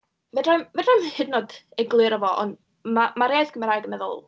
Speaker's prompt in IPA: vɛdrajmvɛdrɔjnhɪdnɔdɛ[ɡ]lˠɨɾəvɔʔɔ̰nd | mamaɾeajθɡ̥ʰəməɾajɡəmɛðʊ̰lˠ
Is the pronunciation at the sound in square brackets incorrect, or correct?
correct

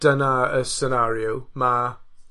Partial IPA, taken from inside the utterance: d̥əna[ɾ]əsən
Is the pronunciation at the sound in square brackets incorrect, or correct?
incorrect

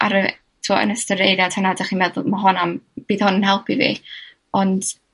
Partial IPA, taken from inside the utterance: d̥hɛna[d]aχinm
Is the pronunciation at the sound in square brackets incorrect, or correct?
correct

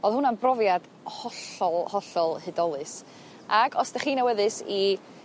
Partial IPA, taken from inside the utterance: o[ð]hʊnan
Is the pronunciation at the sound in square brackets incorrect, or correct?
correct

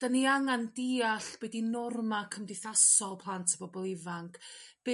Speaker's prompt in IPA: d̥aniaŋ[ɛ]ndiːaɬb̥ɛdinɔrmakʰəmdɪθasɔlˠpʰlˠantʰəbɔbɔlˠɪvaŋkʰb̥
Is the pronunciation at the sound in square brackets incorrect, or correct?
incorrect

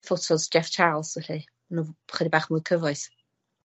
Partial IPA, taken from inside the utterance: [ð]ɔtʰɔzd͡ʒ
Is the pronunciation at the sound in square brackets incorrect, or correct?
incorrect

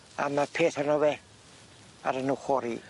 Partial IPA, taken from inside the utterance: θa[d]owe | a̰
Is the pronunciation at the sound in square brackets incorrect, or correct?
incorrect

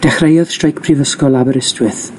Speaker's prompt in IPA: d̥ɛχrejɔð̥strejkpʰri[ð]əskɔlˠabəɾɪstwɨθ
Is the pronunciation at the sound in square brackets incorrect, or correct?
incorrect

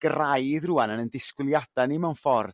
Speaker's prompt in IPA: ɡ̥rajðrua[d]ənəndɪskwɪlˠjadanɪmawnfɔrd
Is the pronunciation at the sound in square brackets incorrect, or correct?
incorrect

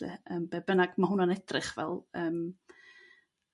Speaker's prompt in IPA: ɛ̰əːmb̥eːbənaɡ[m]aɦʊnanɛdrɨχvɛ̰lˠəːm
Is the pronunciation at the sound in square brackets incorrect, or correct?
correct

